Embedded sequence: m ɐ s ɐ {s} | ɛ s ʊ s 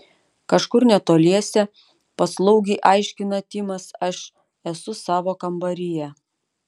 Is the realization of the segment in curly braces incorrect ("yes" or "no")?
yes